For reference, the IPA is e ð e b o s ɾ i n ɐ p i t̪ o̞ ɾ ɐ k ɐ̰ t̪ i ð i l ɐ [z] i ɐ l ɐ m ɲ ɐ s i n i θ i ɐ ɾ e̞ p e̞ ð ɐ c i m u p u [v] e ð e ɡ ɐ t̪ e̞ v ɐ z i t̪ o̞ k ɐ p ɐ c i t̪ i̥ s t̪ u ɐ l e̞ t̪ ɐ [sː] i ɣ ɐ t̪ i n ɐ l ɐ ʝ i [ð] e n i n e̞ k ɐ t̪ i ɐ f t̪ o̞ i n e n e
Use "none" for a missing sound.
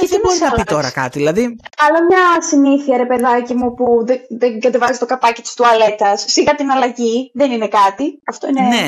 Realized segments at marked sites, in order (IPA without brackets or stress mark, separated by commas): ð, ð, sː, ð